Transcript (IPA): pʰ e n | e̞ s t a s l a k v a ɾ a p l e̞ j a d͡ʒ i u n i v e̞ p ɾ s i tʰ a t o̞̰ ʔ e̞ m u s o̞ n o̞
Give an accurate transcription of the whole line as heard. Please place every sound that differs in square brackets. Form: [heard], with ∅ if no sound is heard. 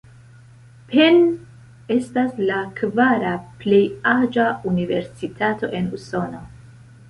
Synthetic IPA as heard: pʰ e n | e̞ s t a s l a k v a ɾ a p l e̞ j a d͡ʒ [a] u n i v e̞ [∅] ɾ s i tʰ a t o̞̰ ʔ e̞ [n] u s o̞ n o̞